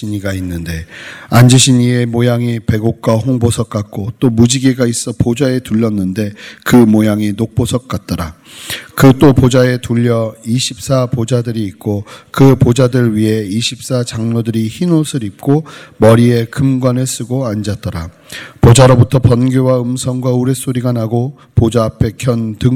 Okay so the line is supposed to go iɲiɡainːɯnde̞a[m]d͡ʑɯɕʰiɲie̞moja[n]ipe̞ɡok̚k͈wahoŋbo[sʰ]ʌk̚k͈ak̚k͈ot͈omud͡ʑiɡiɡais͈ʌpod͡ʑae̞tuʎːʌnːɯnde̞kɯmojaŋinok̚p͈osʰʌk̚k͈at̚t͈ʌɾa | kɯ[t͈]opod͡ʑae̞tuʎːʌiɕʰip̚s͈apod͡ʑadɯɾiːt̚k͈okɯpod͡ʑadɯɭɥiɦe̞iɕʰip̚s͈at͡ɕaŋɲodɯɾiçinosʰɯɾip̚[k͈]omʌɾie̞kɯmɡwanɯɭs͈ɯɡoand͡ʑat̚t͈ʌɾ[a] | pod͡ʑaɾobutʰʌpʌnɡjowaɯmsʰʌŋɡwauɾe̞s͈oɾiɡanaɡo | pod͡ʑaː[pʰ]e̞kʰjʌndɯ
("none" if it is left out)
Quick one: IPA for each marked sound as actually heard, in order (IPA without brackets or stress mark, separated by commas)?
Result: n, ŋ, sʰ, t͈, k͈, a, pʰ